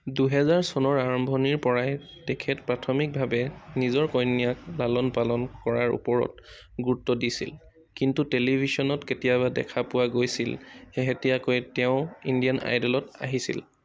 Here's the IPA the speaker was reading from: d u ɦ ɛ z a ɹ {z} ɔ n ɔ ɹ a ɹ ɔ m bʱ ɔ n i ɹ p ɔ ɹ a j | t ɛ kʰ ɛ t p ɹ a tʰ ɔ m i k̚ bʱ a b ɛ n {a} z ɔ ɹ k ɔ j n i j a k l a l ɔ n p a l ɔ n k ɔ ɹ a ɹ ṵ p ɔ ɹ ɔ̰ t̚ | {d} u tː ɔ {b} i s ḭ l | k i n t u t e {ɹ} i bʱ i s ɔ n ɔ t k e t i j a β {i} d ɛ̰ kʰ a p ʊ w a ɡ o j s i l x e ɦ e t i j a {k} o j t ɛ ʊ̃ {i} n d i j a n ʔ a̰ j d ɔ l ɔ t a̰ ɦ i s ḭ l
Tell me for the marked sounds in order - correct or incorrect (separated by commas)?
incorrect, incorrect, incorrect, incorrect, incorrect, incorrect, correct, correct